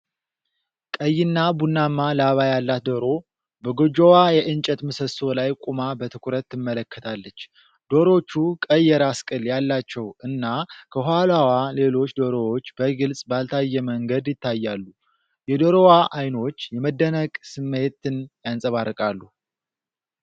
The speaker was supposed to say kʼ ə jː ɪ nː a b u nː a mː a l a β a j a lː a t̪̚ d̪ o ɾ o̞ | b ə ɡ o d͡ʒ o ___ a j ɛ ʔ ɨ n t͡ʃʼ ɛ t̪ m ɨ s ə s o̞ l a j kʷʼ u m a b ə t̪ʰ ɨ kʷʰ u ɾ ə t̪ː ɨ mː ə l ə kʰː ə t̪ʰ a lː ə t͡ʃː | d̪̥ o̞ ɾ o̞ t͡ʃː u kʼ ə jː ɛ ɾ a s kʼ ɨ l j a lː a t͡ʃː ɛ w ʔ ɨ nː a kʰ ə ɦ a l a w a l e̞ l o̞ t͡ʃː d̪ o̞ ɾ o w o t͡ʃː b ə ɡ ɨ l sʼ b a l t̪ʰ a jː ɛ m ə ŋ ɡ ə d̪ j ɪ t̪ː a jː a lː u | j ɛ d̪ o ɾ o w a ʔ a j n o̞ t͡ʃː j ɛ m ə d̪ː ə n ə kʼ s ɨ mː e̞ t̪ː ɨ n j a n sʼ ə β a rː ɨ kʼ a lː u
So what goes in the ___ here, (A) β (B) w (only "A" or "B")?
B